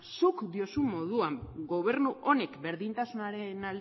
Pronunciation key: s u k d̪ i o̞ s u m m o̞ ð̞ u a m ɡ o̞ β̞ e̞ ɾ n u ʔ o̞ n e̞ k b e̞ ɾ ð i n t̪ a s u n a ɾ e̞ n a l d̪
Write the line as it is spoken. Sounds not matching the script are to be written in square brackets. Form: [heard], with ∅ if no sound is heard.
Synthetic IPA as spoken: s u k d̪ i o̞ s u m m o̞ ð̞ u a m ɡ o̞ β̞ e̞ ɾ n u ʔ o̞ n e̞ k b e̞ ɾ ð i n t̪ a s u n a ɾ e̞ n a l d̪